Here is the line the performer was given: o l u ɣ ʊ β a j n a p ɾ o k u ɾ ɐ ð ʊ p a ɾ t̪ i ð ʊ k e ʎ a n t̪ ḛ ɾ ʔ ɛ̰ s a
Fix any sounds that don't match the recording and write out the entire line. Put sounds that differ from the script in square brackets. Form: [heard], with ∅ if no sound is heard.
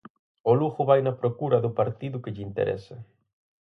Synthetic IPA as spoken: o l u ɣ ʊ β a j n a p ɾ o k u ɾ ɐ ð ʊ p a ɾ t̪ i ð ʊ k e ʎ [i] n t̪ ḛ ɾ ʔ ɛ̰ s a